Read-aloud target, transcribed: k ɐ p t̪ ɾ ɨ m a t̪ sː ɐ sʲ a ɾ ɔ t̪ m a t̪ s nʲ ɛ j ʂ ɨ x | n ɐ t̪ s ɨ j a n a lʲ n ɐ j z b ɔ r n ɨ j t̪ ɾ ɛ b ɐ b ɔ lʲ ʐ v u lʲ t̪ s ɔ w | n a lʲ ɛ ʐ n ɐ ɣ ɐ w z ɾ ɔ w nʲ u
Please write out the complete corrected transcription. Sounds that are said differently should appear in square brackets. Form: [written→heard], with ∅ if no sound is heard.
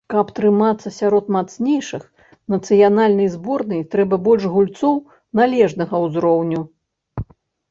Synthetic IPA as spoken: k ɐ p t̪ ɾ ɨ m a t̪ sː ɐ sʲ a ɾ ɔ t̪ m a t̪ s nʲ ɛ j ʂ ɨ x | n ɐ t̪ s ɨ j a n a lʲ n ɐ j z b ɔ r n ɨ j t̪ ɾ ɛ b ɐ b ɔ lʲ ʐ [v→ɣ] u lʲ t̪ s ɔ w | n a lʲ ɛ ʐ n ɐ ɣ ɐ w z ɾ ɔ w nʲ u